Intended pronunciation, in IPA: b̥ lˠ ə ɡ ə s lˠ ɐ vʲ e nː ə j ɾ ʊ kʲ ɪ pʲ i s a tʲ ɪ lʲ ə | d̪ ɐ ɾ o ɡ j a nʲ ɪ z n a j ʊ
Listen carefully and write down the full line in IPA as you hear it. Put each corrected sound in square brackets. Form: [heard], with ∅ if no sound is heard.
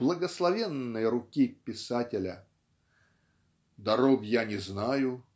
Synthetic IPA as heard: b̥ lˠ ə ɡ ə s lˠ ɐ vʲ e nː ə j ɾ ʊ kʲ [i] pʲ [ɪ] s a tʲ ɪ lʲ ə | d̪ ɐ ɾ o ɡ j a nʲ ɪ z n a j ʊ